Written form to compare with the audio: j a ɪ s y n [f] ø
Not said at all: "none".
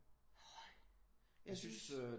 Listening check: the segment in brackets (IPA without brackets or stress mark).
s